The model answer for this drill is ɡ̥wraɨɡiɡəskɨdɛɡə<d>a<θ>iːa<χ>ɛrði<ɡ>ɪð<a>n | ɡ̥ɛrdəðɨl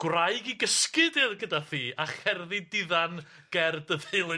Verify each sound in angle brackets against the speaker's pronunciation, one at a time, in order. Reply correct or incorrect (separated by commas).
correct, correct, correct, incorrect, correct